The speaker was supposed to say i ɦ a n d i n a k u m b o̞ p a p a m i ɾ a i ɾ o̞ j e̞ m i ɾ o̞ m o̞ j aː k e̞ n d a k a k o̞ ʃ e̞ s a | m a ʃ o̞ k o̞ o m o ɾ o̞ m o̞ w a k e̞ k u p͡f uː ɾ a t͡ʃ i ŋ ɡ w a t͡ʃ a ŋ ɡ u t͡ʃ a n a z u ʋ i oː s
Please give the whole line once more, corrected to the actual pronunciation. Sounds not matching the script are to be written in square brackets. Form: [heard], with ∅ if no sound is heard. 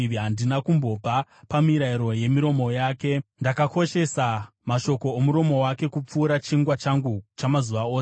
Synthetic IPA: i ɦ a n d i n a k u m b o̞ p a p a m i ɾ a i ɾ o̞ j e̞ m i ɾ o̞ m o̞ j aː k e̞ n d a k a k o̞ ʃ e̞ s a | m a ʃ o̞ k o̞ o m [u] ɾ o̞ m o̞ w a k e̞ k u p͡f uː ɾ a t͡ʃ i ŋ ɡ w a t͡ʃ a ŋ ɡ u t͡ʃ a [m] a z u ʋ [a] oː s